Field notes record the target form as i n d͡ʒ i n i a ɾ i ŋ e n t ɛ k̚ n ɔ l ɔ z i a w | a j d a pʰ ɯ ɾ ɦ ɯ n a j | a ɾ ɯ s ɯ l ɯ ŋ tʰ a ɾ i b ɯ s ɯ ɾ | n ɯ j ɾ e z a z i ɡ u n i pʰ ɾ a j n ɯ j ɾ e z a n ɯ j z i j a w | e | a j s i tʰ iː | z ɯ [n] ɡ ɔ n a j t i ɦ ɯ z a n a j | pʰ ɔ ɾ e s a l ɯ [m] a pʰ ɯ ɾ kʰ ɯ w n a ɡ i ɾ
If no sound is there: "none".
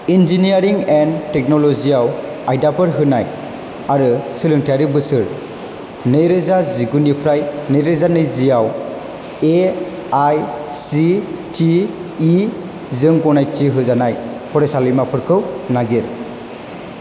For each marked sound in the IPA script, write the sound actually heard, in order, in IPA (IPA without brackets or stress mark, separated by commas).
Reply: ŋ, m